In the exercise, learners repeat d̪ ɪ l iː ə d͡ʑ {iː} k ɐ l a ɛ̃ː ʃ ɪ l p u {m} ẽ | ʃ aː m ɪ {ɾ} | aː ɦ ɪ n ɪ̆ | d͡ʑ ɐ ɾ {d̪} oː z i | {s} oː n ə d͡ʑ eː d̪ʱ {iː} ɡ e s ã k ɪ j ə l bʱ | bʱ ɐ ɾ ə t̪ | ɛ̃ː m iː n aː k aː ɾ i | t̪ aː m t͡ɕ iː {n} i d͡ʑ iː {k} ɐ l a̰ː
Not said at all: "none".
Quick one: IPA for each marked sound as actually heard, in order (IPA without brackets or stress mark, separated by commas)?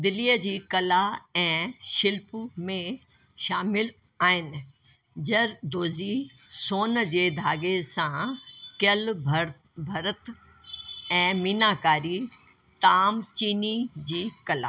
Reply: iː, m, l, d̪, s, aː, n, k